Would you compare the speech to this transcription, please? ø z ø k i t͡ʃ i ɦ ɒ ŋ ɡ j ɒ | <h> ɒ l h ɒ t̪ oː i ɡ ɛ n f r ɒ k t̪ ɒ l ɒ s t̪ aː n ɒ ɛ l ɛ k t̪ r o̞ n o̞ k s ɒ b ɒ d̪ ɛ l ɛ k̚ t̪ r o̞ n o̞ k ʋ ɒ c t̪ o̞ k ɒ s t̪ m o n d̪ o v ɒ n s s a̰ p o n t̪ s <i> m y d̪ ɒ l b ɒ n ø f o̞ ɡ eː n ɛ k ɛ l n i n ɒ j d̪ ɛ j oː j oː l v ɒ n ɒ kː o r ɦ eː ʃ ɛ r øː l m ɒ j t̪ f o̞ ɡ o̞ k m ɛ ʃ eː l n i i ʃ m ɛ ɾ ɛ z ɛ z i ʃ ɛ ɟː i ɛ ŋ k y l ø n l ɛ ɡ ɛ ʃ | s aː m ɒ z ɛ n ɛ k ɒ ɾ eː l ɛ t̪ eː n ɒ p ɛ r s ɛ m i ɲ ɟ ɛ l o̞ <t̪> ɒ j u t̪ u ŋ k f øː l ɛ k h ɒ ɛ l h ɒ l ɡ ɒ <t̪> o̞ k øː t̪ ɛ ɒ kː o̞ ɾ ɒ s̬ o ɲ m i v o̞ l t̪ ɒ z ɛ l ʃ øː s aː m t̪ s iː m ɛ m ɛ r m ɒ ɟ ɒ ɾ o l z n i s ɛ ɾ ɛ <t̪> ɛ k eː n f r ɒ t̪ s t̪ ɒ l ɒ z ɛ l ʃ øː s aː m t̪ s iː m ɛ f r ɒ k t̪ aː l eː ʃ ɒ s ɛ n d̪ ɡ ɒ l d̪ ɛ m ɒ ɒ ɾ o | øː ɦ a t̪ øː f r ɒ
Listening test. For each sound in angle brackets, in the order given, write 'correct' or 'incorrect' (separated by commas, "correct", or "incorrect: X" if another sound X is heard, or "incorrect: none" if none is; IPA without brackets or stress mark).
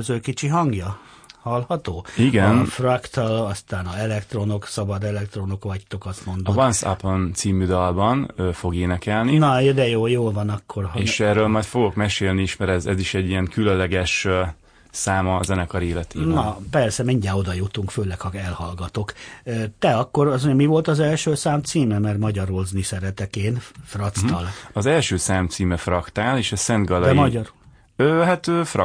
correct, incorrect: iː, incorrect: d̪, correct, correct